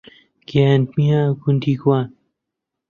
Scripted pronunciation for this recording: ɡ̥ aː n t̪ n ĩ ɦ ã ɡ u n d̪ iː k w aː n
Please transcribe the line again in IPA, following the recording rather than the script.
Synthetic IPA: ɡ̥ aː n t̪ m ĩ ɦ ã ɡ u n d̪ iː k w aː n